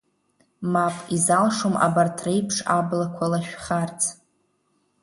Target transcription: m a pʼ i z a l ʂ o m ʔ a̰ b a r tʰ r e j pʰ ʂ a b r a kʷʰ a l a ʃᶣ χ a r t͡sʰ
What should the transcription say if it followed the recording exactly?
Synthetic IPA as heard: m a pʼ i z a l ʂ o m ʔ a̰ b a r tʰ r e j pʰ ʂ a b l a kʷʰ a l a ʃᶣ χ a r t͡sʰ